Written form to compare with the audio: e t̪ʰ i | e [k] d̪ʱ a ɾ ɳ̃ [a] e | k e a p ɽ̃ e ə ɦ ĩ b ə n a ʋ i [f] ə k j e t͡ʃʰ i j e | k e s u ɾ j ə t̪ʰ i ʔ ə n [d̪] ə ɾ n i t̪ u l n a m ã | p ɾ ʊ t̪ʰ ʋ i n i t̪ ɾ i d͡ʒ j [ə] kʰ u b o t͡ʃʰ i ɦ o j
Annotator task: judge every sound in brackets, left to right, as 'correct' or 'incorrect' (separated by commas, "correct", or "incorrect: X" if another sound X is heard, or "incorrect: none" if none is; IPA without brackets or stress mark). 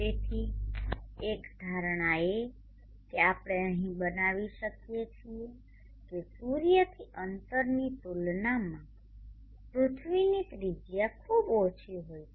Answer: correct, correct, incorrect: ʃ, incorrect: t̪, incorrect: a